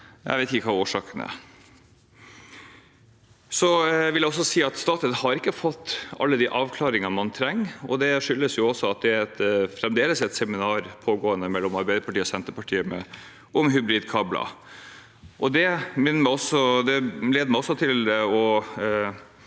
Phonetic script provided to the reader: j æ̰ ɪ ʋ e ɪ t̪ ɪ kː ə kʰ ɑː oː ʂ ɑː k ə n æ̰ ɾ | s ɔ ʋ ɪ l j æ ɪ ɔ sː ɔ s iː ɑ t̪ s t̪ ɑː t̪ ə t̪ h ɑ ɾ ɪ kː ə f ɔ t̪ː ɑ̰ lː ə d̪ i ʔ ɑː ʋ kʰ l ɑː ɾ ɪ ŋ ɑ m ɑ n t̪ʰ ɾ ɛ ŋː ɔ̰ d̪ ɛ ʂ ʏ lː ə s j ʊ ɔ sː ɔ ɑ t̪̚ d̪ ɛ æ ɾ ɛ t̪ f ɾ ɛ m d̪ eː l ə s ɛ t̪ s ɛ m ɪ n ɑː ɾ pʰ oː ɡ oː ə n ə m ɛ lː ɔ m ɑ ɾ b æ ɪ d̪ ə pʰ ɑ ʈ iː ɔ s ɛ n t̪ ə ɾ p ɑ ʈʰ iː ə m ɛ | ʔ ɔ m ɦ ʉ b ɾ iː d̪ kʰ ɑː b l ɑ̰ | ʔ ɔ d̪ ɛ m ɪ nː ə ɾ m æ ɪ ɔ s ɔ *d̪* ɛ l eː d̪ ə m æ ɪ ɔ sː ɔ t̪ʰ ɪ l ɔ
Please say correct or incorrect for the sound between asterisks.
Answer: correct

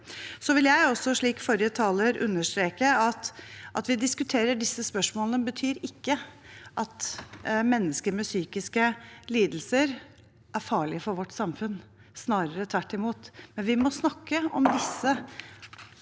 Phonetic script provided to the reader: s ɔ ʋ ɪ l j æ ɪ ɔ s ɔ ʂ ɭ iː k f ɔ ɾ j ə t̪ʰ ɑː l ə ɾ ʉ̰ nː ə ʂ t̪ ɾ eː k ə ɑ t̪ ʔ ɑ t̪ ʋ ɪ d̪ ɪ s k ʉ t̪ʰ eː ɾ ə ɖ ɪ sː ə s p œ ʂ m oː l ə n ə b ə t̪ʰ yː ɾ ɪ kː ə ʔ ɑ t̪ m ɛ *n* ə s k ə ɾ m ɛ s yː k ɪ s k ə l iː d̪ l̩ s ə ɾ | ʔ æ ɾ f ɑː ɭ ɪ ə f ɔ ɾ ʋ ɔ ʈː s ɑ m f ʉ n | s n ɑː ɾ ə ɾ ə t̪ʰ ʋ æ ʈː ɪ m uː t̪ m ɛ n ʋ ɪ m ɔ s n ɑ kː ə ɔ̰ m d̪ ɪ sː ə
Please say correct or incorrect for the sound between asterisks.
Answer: incorrect: nː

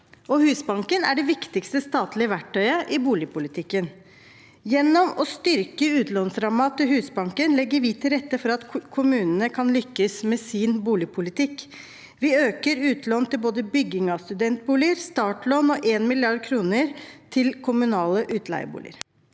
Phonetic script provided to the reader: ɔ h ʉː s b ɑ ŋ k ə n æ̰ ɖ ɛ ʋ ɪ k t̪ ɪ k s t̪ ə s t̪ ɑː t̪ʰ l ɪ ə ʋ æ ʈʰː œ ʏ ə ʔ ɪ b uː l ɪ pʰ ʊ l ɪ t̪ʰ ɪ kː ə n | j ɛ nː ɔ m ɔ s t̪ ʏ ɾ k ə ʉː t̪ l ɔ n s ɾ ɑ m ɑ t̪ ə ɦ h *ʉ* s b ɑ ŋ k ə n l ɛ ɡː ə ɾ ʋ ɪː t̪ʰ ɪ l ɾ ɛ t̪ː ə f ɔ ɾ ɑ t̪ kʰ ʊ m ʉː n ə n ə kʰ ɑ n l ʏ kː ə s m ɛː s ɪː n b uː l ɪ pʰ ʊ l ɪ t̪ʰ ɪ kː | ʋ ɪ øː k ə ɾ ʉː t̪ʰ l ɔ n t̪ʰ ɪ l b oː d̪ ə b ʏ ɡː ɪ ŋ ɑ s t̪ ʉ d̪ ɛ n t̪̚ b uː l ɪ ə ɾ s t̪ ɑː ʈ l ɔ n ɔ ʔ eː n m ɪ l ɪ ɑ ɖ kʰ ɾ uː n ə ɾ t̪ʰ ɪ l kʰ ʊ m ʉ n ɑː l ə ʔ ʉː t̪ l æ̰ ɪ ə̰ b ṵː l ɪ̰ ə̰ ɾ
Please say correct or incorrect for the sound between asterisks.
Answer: incorrect: ʉː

